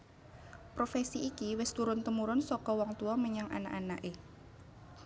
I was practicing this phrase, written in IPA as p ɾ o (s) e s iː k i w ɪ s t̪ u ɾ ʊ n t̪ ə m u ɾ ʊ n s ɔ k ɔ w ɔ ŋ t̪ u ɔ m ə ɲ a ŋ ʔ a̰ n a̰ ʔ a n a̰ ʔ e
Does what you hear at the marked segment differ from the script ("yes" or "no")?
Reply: yes